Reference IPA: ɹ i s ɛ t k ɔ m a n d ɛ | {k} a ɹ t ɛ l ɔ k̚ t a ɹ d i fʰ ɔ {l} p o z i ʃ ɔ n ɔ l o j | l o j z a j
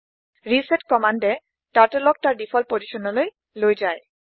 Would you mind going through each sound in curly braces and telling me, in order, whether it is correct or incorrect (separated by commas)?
incorrect, correct